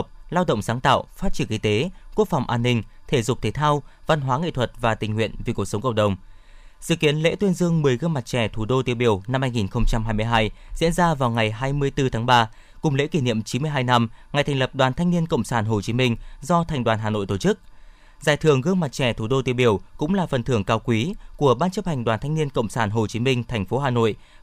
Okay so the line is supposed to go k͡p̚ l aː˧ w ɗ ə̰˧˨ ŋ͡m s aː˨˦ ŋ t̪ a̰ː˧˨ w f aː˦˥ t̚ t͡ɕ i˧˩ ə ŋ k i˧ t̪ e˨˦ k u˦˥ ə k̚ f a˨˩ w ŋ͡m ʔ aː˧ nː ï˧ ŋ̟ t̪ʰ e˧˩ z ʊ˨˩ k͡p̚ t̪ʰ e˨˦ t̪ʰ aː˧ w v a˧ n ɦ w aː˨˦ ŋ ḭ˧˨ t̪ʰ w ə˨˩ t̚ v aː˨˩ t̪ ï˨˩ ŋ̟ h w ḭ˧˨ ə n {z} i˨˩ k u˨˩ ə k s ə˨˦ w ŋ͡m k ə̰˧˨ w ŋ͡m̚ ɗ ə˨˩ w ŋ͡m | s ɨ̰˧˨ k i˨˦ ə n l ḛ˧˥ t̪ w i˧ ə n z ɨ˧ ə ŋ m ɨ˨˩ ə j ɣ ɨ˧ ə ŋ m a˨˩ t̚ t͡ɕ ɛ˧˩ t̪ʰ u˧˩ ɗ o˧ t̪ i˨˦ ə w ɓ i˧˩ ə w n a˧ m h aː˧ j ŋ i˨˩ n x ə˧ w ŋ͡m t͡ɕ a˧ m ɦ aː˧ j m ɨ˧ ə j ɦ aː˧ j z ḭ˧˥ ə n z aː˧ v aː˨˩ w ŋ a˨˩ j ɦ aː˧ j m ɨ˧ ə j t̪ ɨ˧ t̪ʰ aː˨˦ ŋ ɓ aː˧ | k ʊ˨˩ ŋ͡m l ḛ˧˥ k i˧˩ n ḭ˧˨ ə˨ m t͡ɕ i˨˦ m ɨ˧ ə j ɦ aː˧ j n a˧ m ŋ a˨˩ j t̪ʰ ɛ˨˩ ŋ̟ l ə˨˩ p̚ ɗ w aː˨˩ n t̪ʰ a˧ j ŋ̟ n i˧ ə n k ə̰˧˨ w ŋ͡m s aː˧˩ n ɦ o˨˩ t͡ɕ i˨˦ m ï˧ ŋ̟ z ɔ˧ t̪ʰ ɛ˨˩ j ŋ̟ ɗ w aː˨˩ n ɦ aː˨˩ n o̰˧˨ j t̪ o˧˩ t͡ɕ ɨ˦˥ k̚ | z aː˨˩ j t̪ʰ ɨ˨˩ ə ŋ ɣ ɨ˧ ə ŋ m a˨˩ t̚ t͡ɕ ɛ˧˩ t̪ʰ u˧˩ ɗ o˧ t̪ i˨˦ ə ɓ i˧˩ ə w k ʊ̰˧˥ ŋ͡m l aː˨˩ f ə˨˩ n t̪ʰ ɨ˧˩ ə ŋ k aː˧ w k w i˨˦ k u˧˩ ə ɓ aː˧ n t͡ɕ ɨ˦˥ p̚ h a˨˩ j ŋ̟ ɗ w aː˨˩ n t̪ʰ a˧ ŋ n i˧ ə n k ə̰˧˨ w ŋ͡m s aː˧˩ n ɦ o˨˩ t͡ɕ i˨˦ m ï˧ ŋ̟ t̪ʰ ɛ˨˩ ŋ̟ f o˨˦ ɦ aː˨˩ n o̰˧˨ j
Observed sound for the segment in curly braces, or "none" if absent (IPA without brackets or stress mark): v